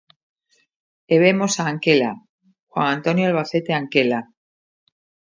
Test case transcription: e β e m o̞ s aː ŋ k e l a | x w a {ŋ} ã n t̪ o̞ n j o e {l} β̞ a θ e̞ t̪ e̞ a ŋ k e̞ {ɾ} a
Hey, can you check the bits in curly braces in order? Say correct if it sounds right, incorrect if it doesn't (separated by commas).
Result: correct, correct, incorrect